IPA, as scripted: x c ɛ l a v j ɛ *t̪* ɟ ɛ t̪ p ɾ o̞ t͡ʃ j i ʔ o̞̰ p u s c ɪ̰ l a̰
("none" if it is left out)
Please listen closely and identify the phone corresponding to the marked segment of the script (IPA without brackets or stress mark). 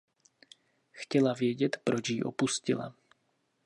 none